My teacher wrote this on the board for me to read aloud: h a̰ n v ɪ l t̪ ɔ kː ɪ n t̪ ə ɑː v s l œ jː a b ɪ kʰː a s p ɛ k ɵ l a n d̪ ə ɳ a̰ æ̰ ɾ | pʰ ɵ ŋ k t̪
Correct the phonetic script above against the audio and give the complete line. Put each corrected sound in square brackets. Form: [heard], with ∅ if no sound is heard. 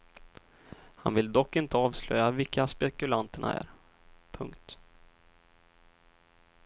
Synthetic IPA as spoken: h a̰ n v ɪ l [d̪] ɔ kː ɪ n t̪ ə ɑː v s l œ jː a [v] ɪ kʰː a s p ɛ k ɵ l a n [t̪] ə ɳ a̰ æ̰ ɾ | pʰ ɵ ŋ k t̪

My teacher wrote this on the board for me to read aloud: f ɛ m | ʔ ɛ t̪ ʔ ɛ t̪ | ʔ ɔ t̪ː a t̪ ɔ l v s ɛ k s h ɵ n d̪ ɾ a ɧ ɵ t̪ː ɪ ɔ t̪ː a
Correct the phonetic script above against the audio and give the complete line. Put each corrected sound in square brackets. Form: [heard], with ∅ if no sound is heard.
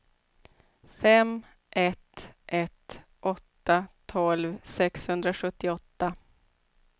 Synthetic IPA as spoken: f ɛ m | ʔ ɛ t̪ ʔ ɛ t̪ | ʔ ɔ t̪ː a [t̪ʰ] ɔ l v s ɛ k s h ɵ n d̪ ɾ a ɧ ɵ t̪ː ɪ ɔ t̪ː a

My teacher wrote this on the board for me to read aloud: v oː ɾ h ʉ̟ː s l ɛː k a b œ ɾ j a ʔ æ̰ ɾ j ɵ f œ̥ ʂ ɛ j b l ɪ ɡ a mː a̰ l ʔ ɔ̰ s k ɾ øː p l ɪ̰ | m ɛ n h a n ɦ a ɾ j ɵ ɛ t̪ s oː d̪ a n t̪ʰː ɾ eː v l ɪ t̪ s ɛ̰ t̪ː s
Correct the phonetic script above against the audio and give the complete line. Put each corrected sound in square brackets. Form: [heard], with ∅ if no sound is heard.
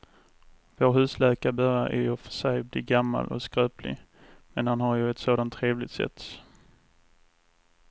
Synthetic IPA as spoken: v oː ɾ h ʉ̟ː s l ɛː k a b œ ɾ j a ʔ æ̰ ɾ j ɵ f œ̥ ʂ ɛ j b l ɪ ɡ a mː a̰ l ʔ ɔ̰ s k ɾ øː p l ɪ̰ | m ɛ n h a n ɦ a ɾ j ɵ ɛ t̪ s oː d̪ a n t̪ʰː ɾ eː v l ɪ t̪ s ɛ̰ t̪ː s

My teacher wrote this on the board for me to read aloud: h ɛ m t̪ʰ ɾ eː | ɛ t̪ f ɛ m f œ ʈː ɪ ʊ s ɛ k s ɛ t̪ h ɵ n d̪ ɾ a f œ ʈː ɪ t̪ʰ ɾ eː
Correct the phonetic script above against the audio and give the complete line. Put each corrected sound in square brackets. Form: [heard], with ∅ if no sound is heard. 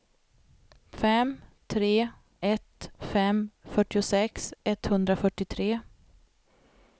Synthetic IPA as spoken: [f] ɛ m t̪ʰ ɾ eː | ɛ t̪ f ɛ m f œ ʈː ɪ ʊ s ɛ k s ɛ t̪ h ɵ n d̪ ɾ a f œ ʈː ɪ t̪ʰ ɾ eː

